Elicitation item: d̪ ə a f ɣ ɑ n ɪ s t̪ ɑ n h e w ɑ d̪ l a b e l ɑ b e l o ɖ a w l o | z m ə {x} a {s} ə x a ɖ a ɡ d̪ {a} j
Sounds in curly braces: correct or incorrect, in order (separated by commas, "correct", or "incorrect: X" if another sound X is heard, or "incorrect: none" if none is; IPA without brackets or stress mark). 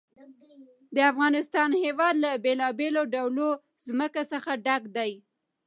incorrect: k, correct, correct